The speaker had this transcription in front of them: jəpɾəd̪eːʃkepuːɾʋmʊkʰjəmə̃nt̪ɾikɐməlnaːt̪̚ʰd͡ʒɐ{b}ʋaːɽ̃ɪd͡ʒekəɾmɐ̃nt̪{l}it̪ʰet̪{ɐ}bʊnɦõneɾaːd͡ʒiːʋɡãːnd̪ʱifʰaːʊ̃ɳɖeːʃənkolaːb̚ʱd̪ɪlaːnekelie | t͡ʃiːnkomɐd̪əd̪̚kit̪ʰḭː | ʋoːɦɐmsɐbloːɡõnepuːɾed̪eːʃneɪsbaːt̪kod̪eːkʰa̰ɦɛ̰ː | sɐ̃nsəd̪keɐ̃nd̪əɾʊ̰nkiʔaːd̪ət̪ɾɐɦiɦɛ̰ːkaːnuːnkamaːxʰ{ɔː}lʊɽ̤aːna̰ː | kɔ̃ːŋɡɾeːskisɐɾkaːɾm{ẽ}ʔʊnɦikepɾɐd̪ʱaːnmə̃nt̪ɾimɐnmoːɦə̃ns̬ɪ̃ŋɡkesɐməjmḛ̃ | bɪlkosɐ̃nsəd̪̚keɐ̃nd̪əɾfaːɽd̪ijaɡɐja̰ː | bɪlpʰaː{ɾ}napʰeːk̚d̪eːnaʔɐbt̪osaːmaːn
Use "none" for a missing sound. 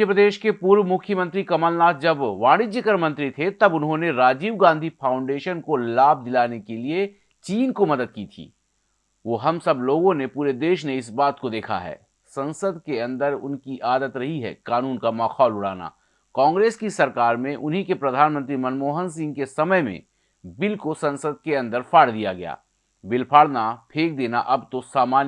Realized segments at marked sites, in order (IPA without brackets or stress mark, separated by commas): b, ɾ, ɐ, ɔː, ẽ, ɽ